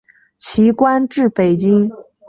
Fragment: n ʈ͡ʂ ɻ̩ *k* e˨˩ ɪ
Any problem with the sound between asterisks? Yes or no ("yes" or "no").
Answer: yes